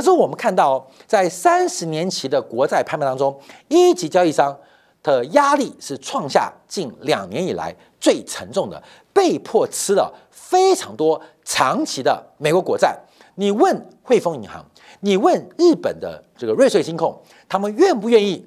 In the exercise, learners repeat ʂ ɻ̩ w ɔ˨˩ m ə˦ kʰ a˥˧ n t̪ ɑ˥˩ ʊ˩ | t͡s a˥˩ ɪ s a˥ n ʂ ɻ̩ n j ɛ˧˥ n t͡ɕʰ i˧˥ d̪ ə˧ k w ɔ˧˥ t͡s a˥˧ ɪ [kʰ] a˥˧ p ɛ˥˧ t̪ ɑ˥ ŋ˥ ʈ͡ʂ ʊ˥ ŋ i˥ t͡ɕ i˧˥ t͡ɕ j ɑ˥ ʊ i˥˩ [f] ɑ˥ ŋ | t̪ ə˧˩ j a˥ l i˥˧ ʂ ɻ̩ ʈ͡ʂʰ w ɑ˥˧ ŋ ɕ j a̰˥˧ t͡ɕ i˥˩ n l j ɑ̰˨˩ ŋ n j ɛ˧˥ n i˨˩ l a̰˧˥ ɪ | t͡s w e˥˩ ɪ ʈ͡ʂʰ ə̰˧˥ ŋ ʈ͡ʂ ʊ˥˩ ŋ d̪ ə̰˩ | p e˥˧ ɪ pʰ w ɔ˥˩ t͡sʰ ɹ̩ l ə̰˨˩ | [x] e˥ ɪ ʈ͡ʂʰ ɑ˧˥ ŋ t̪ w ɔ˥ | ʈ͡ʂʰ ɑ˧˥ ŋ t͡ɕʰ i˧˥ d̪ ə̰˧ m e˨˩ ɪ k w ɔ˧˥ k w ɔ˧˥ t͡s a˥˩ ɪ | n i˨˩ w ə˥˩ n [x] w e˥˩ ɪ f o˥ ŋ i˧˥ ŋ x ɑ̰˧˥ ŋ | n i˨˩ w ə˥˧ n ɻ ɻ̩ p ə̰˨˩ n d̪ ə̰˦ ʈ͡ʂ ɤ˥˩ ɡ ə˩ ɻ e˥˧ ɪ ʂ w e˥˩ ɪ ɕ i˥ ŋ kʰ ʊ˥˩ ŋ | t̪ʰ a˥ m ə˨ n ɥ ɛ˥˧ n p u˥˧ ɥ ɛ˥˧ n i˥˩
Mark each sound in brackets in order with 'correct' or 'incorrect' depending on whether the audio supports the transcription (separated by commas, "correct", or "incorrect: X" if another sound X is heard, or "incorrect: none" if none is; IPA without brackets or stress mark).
incorrect: pʰ, incorrect: ʂ, incorrect: f, correct